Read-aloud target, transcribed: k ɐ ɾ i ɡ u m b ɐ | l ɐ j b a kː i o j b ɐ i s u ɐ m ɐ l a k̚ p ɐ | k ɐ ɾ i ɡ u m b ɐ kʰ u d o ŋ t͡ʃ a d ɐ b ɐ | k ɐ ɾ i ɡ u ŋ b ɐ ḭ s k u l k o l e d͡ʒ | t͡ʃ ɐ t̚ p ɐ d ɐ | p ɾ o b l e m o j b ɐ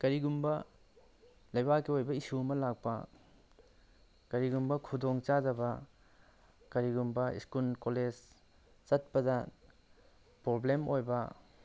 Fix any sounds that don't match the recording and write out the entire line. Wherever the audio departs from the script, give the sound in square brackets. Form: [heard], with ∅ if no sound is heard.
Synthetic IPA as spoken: k ɐ ɾ i ɡ u m b ɐ | l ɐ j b a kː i o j b ɐ i s u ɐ m ɐ l a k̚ p ɐ | k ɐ ɾ i ɡ u m b ɐ kʰ u d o ŋ t͡ʃ a d ɐ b ɐ | k ɐ ɾ i ɡ u [m] b ɐ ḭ s k u l k o l e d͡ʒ | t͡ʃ ɐ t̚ p ɐ d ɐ | p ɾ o b l e m o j b ɐ